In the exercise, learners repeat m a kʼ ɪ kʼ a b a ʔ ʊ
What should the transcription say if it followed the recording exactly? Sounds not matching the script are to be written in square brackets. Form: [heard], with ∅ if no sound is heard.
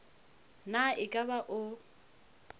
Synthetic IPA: [n] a [∅] ɪ kʼ a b a ʔ ʊ